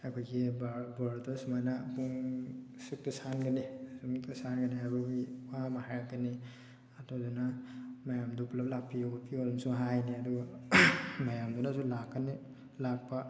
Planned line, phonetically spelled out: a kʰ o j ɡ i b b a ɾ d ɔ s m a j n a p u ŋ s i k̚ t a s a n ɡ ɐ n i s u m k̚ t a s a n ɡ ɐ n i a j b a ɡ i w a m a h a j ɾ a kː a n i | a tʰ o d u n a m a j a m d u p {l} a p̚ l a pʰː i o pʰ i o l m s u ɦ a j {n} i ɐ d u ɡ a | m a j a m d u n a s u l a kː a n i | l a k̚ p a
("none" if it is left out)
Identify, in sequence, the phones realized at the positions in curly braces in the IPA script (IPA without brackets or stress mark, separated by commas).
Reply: l, n